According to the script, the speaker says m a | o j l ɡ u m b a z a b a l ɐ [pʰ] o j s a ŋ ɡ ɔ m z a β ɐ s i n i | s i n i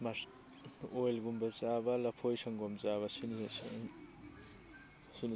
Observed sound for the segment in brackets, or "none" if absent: pʰ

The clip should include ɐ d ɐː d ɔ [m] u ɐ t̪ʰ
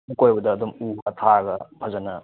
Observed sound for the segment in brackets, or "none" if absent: m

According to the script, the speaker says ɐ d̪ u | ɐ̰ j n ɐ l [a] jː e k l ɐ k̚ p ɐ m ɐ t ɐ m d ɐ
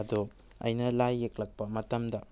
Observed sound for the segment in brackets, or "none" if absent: a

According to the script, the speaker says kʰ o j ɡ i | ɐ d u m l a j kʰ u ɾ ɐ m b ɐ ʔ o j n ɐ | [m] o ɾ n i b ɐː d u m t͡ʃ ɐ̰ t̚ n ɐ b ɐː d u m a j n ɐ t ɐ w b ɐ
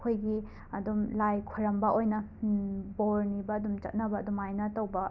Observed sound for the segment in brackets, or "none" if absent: b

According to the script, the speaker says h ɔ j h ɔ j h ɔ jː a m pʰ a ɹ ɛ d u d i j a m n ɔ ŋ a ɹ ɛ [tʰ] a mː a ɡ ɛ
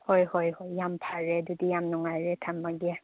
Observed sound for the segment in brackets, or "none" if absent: tʰ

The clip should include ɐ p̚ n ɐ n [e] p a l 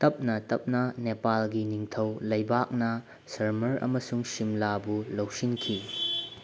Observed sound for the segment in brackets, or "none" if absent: e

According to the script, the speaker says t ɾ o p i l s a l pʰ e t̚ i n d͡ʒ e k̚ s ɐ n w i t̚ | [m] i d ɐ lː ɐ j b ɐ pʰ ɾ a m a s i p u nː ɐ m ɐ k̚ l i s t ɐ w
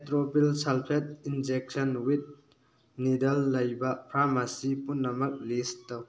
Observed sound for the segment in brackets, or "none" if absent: n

